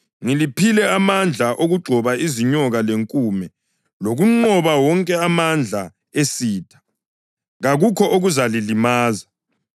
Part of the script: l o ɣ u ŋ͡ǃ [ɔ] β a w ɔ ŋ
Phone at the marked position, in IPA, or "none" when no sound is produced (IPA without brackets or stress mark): ɔ